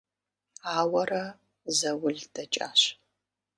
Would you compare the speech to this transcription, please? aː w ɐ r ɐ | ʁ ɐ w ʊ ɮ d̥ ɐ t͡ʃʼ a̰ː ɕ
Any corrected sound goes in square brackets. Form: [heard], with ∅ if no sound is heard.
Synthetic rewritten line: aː w ɐ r ɐ | [z] ɐ w ʊ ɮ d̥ ɐ t͡ʃʼ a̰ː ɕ